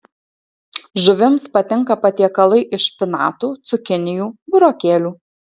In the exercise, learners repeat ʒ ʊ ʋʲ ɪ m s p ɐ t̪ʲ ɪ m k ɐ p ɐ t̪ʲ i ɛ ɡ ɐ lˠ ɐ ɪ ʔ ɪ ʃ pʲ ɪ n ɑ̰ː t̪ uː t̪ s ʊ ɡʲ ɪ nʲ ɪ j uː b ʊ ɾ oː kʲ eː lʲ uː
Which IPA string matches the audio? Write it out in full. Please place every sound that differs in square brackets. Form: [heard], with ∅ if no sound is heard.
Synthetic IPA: ʒ ʊ ʋʲ ɪ m s p ɐ t̪ʲ ɪ [ŋ] k ɐ p ɐ t̪ʲ i ɛ [k] ɐ lˠ ɐ ɪ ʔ ɪ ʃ pʲ ɪ n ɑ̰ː t̪ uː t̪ s ʊ [kʲ] ɪ nʲ ɪ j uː b ʊ ɾ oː kʲ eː lʲ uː